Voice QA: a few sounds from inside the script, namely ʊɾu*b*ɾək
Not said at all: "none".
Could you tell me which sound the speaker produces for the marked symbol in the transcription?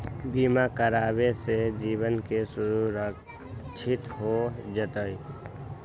none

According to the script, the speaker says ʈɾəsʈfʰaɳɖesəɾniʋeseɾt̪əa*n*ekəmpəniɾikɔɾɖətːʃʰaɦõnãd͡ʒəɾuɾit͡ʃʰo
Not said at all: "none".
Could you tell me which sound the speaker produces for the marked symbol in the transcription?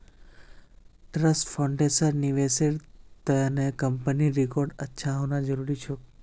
n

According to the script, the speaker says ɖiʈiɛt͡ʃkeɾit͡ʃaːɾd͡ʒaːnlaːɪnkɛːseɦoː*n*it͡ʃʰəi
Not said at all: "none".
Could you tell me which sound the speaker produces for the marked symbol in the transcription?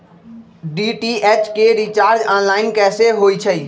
none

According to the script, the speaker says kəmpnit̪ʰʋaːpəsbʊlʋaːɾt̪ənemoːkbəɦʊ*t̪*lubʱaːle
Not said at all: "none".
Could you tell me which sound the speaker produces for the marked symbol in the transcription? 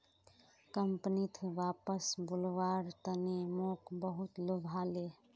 t̪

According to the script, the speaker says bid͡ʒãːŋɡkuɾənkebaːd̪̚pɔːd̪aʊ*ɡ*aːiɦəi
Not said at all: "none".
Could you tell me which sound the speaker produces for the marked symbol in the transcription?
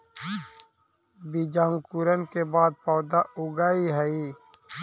ɡ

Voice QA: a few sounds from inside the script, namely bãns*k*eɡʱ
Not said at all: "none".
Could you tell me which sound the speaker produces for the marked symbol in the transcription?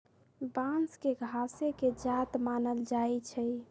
k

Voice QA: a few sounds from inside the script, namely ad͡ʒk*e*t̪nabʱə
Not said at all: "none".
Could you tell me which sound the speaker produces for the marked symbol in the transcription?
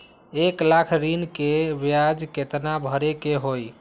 e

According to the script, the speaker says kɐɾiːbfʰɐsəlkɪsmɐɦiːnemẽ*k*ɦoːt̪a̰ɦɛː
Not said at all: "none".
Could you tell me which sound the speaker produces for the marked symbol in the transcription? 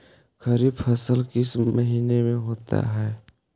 none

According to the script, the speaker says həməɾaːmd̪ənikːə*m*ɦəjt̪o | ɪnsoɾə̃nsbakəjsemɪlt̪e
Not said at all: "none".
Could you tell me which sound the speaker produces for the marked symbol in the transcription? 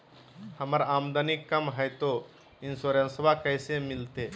m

